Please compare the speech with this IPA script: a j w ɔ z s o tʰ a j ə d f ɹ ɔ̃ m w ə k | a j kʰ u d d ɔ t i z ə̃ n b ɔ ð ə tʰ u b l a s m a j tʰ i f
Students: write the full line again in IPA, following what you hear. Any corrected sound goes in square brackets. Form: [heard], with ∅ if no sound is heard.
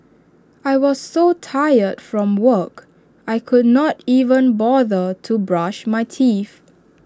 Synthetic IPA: a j w ɔ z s o tʰ a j ə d f ɹ ɔ̃ m w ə k | a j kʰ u d [n] ɔ t i [v] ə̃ n b ɔ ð ə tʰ u b [ɹ] a [ʃ] m a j tʰ i f